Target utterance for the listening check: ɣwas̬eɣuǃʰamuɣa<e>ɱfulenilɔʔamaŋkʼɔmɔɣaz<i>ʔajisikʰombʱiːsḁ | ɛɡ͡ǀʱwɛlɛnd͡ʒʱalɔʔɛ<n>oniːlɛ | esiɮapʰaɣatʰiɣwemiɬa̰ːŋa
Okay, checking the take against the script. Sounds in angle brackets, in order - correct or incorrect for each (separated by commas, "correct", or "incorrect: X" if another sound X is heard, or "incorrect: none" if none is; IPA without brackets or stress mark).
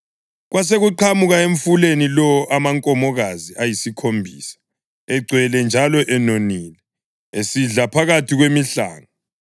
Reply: correct, correct, correct